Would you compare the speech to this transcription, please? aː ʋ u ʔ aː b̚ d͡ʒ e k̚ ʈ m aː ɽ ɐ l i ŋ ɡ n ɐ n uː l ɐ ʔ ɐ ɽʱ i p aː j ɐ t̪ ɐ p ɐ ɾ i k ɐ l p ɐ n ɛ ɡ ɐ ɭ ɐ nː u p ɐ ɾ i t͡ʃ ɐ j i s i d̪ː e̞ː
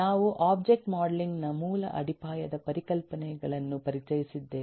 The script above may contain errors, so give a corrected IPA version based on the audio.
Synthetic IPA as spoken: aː ʋ u ʔ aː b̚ d͡ʒ e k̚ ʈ m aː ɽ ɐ l i ŋ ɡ n ɐ m uː l ɐ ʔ ɐ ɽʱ i p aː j ɐ d̪ ɐ p ɐ ɾ i k ɐ l p ɐ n ɛ ɡ ɐ ɭ ɐ nː u p ɐ ɾ i t͡ʃ ɐ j i s i d̪ː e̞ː